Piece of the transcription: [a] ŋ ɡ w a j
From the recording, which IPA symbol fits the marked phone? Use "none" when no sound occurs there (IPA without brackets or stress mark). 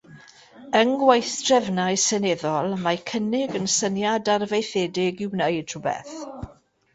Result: ə